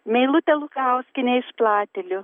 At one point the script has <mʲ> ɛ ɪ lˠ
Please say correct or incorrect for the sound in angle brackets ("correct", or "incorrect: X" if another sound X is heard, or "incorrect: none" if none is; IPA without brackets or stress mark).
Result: correct